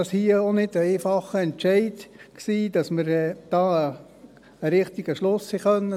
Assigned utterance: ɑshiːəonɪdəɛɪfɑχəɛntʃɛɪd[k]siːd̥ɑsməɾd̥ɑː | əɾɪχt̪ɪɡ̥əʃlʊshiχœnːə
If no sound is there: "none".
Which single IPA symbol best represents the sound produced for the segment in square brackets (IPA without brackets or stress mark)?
k